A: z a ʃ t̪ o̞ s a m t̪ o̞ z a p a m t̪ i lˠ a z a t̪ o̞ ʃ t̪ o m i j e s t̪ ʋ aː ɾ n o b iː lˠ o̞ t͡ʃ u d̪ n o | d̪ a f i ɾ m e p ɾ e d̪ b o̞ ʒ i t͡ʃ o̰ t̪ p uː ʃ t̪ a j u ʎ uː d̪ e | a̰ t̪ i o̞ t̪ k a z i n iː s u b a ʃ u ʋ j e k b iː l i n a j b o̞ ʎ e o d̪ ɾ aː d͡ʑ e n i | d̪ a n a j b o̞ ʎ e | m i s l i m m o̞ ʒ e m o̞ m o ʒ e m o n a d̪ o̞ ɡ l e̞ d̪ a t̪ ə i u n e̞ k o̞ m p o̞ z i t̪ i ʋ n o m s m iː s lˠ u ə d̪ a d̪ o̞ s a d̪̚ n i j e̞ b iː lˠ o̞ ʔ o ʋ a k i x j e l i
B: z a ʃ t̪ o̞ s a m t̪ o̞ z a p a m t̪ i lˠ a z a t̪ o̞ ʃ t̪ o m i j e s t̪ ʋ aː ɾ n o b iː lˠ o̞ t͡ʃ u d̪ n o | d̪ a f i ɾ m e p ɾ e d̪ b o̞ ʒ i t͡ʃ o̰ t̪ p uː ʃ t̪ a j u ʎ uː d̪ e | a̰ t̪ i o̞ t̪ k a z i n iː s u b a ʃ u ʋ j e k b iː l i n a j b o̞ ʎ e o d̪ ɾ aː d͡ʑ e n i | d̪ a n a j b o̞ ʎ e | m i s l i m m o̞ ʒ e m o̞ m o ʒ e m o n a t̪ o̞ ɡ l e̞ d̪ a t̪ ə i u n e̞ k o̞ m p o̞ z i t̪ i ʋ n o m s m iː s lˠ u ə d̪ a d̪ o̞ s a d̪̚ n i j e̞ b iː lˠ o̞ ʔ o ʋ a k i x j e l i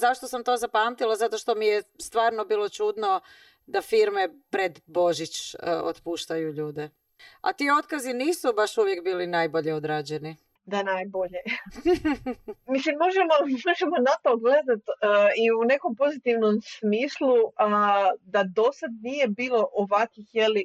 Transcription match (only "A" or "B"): B